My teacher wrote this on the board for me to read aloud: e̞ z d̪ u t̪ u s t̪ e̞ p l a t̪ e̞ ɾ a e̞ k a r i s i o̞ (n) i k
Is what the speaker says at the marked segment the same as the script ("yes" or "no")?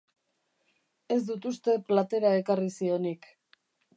yes